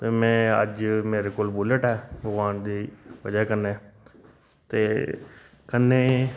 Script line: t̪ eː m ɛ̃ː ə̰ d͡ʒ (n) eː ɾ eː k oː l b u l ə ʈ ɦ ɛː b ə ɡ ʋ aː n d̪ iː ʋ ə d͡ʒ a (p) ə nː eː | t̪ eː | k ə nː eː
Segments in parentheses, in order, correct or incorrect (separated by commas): incorrect, incorrect